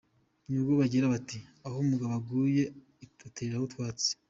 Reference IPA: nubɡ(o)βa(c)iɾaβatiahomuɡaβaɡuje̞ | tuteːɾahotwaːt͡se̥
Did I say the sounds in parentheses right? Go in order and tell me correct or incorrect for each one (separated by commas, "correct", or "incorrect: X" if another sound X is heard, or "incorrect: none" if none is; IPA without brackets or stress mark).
correct, incorrect: ɟ